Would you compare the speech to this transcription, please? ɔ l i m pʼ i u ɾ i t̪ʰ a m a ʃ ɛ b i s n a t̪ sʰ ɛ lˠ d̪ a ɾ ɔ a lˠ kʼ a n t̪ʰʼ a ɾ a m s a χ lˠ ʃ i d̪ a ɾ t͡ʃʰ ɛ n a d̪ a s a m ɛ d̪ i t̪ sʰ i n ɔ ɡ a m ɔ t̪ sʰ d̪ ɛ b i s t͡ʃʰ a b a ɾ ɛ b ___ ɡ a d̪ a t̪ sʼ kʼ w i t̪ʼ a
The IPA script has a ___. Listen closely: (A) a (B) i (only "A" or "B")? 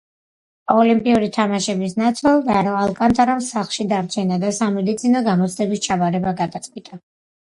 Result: A